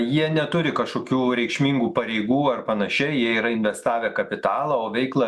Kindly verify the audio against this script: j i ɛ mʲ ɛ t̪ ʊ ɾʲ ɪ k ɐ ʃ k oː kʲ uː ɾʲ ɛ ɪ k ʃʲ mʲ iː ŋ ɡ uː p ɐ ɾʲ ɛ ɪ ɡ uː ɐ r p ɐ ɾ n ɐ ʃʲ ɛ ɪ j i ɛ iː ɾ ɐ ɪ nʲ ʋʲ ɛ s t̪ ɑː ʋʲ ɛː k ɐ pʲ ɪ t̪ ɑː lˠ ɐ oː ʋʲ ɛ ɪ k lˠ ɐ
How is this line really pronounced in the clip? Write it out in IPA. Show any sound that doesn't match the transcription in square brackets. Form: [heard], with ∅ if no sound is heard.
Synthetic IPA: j i ɛ [nʲ] ɛ t̪ ʊ ɾʲ ɪ k ɐ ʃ k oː kʲ uː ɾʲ ɛ ɪ k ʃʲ mʲ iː ŋ ɡ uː p ɐ ɾʲ ɛ ɪ ɡ uː ɐ r p ɐ [∅] n ɐ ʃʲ ɛ ɪ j i ɛ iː ɾ ɐ ɪ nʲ ʋʲ ɛ s t̪ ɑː ʋʲ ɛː k ɐ pʲ ɪ t̪ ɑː lˠ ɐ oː ʋʲ ɛ ɪ k lˠ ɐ